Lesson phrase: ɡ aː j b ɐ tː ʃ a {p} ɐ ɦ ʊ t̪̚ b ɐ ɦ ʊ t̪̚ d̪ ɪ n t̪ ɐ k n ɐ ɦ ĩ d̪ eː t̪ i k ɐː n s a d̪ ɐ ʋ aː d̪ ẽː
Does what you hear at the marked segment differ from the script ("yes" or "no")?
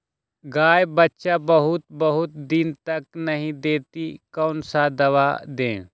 yes